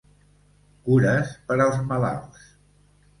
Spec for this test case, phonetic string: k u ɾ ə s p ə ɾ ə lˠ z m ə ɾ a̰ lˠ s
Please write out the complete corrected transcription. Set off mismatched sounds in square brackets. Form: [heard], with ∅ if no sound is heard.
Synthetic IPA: k u ɾ ə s p ə ɾ ə lˠ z m ə [l] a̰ lˠ s